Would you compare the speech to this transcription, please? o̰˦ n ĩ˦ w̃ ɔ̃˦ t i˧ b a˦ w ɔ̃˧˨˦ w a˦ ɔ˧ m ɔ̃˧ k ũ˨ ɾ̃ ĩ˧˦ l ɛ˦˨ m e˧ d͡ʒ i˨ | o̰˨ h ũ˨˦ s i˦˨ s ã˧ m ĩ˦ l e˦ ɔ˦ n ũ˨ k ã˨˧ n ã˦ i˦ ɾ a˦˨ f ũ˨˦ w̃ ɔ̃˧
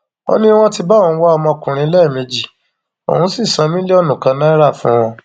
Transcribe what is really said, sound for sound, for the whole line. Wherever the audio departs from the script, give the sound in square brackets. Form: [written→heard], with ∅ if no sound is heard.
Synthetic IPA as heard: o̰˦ n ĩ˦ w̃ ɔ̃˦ t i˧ b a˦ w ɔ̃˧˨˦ w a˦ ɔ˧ m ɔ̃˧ k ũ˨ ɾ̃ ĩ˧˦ l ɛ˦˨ m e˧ d͡ʒ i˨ | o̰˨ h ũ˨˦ s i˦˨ s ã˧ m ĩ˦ l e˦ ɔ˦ n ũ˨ k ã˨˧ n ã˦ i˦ ɾ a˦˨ f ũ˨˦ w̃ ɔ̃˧

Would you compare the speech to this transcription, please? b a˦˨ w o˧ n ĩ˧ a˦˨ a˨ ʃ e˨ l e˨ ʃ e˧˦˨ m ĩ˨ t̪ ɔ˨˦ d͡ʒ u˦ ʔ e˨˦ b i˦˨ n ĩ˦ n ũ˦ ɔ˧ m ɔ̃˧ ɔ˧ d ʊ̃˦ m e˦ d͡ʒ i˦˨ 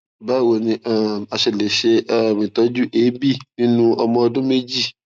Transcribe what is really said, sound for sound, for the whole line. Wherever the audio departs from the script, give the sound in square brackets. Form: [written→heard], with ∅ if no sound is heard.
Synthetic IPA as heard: b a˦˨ w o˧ n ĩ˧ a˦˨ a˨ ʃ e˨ l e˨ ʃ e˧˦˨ m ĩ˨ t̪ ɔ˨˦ d͡ʒ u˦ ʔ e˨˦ b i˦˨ n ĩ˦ n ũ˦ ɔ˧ m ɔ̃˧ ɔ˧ d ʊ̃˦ m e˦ d͡ʒ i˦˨

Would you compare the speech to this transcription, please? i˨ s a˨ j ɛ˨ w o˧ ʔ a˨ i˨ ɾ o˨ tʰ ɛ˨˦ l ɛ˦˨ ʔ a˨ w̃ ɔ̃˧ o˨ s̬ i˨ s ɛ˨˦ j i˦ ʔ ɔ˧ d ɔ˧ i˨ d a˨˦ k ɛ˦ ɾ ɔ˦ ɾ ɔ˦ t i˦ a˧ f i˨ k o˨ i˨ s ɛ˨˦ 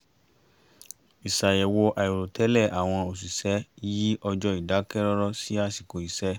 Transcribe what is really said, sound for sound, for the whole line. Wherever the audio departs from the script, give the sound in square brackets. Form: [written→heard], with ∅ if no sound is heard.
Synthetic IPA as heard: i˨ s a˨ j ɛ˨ w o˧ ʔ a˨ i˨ ɾ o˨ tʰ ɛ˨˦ l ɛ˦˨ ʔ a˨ w̃ ɔ̃˧ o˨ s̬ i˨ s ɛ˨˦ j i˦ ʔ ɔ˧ [d→d͡ʒ] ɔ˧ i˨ d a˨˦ k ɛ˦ ɾ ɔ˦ ɾ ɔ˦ [t→s] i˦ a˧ [f→s] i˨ k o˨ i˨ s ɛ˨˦

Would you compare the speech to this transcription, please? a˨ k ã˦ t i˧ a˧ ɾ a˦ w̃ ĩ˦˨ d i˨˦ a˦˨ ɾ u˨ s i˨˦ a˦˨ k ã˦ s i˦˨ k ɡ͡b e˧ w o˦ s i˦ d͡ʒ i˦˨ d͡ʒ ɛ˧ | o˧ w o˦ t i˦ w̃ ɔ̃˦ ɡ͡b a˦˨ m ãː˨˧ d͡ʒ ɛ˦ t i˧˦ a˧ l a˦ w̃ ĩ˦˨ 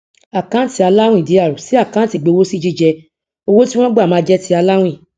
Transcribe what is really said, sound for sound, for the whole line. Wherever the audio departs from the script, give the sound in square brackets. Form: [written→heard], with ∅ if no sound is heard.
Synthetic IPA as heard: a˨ k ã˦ t i˧ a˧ [ɾ→l] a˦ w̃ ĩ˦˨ d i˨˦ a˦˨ ɾ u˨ s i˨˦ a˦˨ k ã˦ [s→t] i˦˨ [k→∅] ɡ͡b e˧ w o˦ s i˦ d͡ʒ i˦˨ d͡ʒ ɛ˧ | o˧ w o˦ t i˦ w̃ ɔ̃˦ ɡ͡b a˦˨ m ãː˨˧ d͡ʒ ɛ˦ t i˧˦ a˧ l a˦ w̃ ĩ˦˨

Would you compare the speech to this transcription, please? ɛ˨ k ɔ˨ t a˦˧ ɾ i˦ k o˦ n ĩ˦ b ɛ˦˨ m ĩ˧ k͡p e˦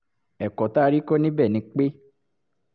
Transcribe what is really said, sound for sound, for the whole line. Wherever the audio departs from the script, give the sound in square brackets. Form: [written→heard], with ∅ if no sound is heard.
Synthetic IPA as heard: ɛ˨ k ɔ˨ t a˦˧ ɾ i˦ k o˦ n ĩ˦ b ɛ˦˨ [m→n] ĩ˧ k͡p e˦

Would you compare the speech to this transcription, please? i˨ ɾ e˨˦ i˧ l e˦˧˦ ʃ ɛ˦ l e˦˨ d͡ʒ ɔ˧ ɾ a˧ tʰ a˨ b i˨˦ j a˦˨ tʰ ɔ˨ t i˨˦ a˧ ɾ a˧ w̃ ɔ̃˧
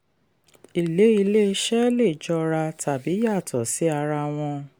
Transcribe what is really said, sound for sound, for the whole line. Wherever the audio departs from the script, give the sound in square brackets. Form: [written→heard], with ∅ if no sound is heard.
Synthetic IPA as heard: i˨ [ɾ→l] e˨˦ i˧ l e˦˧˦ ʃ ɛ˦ l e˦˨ d͡ʒ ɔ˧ ɾ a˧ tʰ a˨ b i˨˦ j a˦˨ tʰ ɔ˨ [t→s] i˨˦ a˧ ɾ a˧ w̃ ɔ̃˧

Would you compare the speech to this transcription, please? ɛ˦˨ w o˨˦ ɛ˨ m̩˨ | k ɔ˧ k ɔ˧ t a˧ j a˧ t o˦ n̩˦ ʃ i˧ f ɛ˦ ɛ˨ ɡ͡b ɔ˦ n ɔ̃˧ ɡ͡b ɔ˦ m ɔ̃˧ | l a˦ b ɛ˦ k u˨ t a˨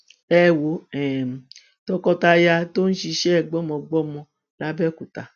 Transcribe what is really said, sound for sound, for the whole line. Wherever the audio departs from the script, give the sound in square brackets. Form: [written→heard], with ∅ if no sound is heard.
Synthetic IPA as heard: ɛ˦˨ w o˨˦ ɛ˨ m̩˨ | [k→t] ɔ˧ k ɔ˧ t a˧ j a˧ t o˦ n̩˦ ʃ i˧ [f→ʃ] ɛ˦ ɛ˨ ɡ͡b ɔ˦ [n→m] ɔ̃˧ ɡ͡b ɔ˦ m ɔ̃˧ | l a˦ b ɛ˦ k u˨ t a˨

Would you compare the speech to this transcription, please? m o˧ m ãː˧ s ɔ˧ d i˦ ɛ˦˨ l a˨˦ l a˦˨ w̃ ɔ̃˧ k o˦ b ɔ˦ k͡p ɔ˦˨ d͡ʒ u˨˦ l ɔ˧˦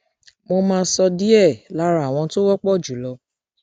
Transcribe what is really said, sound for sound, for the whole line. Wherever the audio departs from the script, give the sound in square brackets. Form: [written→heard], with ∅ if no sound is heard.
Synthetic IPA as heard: m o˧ m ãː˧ s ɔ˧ d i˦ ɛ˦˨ l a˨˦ [l→ɾ] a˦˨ w̃ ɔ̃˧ [k→t] o˦ [b→w] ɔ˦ k͡p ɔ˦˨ d͡ʒ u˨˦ l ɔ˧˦

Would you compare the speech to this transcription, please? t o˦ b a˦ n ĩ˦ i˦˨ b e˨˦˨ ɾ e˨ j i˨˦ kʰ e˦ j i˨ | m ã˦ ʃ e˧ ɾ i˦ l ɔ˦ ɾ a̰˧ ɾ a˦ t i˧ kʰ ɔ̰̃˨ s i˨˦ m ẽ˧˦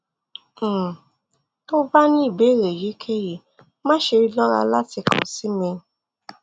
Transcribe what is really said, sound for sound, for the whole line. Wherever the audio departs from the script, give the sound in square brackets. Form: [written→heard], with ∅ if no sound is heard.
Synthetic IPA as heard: t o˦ b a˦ n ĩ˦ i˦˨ b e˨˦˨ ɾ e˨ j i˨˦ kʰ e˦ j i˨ | m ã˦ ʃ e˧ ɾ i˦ l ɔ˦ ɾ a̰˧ [ɾ→l] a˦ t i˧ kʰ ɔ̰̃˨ s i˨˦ m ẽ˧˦

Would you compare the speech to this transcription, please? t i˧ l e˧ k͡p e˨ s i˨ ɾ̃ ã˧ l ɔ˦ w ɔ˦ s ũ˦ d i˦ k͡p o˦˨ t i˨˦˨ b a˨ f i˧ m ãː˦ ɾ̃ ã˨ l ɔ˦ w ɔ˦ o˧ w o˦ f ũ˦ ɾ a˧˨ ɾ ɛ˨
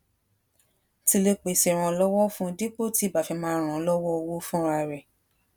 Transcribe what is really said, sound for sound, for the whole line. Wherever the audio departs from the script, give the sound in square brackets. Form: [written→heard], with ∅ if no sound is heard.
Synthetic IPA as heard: t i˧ l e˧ k͡p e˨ s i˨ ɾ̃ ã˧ l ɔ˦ w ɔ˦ [s→f] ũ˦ d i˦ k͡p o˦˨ t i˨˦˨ b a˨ f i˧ m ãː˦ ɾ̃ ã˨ l ɔ˦ w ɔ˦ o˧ w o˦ f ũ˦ ɾ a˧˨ ɾ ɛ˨

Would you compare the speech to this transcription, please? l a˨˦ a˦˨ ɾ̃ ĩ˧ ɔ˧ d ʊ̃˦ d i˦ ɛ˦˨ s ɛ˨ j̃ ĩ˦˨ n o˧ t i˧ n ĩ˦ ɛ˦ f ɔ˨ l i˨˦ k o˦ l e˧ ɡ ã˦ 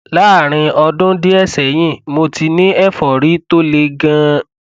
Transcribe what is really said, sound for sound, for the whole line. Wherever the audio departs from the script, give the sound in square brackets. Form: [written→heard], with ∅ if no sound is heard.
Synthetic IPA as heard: l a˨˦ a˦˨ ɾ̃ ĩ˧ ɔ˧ d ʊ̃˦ d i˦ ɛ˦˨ s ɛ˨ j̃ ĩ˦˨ [n→m] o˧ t i˧ n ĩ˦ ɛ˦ f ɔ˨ [l→ɾ] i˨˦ [k→t] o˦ l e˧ ɡ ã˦

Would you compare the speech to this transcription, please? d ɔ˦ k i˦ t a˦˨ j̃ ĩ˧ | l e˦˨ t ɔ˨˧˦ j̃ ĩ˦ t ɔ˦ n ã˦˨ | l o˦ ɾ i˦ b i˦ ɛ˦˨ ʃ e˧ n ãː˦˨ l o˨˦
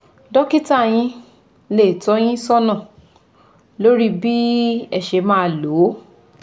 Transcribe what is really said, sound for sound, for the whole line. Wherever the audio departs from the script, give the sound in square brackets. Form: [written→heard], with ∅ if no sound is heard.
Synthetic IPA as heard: d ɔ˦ k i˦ t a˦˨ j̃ ĩ˧ | l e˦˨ t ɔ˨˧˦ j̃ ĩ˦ [t→s] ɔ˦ n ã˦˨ | l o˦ ɾ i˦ b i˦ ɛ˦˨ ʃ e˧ [n→m] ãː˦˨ l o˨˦

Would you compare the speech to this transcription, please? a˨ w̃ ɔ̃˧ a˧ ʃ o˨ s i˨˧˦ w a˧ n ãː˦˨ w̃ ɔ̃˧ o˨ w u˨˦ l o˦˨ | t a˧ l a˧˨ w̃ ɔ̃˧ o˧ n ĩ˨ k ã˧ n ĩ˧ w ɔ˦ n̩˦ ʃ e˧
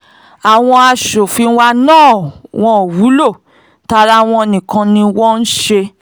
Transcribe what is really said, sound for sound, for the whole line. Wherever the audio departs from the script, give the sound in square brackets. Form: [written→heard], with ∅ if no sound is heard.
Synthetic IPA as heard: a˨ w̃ ɔ̃˧ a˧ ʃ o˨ [s→f] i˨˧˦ w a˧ n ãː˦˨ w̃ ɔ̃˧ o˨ w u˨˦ l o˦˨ | t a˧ [l→ɾ] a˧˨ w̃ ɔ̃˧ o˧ n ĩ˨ k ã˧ n ĩ˧ w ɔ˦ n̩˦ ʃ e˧

